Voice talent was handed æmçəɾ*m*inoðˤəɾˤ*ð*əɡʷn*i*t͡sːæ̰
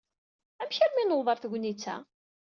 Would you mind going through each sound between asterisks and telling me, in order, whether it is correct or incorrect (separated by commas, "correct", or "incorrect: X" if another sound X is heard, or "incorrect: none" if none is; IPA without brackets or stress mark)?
correct, incorrect: θ, correct